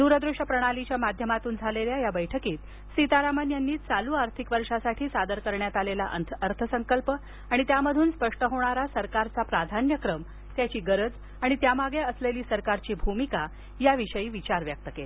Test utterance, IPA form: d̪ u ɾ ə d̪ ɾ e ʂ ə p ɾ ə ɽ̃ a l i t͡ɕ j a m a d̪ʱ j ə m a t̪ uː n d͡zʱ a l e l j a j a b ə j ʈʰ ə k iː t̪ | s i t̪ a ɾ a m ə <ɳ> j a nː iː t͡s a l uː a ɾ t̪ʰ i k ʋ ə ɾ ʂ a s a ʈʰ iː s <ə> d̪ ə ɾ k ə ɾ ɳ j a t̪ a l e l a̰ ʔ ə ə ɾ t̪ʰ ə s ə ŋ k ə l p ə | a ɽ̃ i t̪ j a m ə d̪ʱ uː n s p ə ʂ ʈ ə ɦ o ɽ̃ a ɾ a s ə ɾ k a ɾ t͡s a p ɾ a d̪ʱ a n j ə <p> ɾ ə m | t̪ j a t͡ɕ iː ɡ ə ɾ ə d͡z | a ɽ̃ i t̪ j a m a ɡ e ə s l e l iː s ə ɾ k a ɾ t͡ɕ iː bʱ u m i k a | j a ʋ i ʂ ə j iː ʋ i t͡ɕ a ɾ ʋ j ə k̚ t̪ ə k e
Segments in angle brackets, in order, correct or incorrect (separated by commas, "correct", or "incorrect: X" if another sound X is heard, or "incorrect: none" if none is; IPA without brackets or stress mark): incorrect: n, incorrect: a, incorrect: k